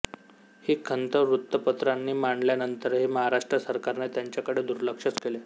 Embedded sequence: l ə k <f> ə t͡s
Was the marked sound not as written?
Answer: yes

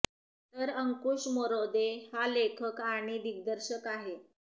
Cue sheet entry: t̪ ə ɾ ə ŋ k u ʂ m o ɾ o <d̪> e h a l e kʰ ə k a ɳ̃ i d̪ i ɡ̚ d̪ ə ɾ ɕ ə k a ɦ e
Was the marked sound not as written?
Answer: no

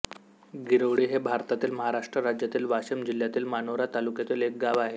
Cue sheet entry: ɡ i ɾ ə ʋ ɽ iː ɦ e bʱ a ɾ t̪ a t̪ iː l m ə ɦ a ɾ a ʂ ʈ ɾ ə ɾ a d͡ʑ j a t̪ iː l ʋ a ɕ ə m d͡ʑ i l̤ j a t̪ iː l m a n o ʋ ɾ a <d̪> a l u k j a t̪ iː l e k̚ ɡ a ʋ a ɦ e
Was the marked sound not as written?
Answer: yes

